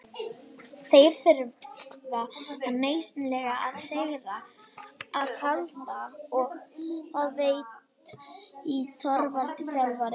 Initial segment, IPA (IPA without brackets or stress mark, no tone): θ